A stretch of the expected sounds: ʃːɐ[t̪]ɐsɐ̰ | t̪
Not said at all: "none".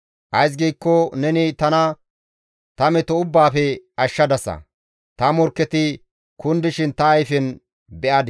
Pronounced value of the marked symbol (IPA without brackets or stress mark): d̪